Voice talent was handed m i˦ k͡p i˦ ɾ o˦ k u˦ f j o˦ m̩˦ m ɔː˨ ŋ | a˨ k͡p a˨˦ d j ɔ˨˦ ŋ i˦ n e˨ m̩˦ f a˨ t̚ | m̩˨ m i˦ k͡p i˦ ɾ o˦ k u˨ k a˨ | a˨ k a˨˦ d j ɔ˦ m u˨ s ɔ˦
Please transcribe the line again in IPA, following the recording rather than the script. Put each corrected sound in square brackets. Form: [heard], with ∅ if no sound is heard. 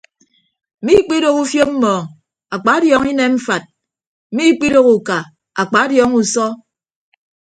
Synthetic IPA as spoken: m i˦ k͡p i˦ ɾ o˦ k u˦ f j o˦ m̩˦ m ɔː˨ ŋ | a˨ k͡p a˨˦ d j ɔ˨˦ ŋ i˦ n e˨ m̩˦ f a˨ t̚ | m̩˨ m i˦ k͡p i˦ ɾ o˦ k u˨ k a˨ | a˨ [k͡p] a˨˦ d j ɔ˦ [ŋ] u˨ s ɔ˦